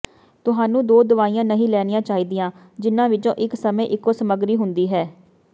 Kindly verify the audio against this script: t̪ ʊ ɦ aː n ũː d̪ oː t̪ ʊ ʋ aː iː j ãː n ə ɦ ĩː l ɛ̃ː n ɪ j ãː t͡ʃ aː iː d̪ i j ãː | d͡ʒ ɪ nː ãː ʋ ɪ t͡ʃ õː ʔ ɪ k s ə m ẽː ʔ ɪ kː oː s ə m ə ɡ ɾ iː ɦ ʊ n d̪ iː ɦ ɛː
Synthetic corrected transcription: t̪ ʊ ɦ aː n ũː d̪ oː d̪ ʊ ʋ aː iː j ãː n ə ɦ ĩː l ɛː n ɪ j ãː t͡ʃ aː iː d̪ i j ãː | d͡ʒ ɪ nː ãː ʋ ɪ t͡ʃ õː ʔ ɪ k s ə m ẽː ʔ ɪ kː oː s ə m ə ɡ ɾ iː ɦ ʊ n d̪ iː ɦ ɛː